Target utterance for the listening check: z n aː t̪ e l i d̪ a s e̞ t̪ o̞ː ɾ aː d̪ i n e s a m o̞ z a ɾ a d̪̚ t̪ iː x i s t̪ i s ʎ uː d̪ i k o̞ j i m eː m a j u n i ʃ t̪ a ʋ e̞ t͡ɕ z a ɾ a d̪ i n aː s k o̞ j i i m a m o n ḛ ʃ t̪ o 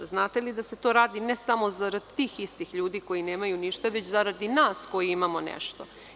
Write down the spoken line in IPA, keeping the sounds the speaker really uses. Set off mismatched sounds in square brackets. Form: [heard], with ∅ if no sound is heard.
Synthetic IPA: z n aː t̪ e l i d̪ a s e̞ t̪ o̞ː ɾ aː d̪ i n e s a m o̞ z a ɾ a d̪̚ t̪ iː x i s t̪ i [x] ʎ uː d̪ i k o̞ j i [n] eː m a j u n i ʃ t̪ a ʋ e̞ t͡ɕ z a ɾ a d̪ i n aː s k o̞ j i i m a m o n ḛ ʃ t̪ o